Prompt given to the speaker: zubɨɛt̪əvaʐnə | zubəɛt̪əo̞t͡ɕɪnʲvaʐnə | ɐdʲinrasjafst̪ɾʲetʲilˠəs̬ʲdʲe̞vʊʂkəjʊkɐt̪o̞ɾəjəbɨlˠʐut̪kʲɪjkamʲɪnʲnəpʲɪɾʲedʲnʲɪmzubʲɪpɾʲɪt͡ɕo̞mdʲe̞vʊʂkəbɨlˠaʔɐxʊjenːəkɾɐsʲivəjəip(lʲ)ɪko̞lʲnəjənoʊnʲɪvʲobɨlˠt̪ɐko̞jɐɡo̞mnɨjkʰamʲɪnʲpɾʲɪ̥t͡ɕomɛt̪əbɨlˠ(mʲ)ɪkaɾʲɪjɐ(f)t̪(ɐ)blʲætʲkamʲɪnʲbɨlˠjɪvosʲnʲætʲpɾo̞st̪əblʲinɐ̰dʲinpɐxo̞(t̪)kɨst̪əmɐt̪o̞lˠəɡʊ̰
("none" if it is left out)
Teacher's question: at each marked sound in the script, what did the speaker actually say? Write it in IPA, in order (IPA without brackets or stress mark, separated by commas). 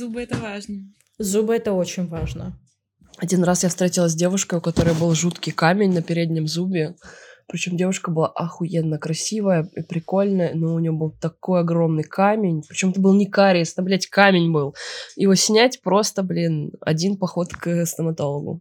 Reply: ɾʲ, nʲ, s, ɐ, t̪